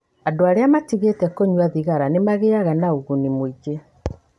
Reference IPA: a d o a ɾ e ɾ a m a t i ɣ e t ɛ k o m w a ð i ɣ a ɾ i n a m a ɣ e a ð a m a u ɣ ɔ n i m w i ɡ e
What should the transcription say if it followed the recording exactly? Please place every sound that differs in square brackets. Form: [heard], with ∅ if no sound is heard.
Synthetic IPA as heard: a d o a ɾ e [∅] a m a t i ɣ e t ɛ k o [ɲ] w a ð i ɣ a ɾ [a] n [e] m a ɣ e a [ɣ] a [n] a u ɣ [u] n i m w i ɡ e